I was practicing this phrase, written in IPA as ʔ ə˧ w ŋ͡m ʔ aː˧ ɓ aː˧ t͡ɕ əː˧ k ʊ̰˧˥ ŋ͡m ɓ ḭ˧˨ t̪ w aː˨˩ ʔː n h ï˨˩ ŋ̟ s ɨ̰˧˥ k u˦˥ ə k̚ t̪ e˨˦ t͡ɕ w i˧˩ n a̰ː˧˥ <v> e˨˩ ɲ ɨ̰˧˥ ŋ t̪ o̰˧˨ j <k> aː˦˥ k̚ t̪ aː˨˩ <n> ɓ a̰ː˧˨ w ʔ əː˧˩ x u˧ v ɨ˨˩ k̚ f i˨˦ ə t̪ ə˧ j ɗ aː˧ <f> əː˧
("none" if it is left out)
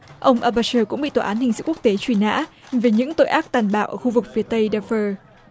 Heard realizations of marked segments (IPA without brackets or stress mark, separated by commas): v, ʔ, n, f